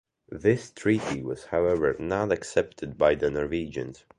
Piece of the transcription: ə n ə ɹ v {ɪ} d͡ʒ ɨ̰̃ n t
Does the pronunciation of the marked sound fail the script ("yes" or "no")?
yes